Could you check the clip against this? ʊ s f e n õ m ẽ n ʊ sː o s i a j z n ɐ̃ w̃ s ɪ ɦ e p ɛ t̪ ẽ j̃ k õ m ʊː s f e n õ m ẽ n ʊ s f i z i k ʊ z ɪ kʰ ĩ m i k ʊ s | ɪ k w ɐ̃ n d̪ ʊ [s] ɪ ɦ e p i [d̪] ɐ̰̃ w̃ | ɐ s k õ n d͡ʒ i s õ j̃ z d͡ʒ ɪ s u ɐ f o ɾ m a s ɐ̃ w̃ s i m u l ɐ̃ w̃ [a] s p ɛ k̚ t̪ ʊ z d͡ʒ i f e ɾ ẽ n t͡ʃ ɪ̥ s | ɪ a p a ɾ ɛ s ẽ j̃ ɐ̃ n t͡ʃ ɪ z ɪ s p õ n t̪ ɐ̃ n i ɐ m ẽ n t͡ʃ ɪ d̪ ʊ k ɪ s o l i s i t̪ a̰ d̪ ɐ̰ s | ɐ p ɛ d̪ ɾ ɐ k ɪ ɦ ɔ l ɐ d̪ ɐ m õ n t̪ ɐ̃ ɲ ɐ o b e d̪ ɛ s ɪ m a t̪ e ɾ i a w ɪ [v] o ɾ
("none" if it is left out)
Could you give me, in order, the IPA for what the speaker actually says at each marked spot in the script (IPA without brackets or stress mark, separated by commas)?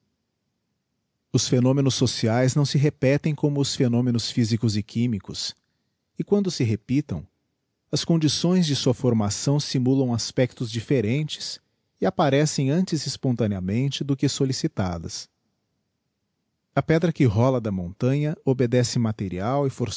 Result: s, t̪, a, f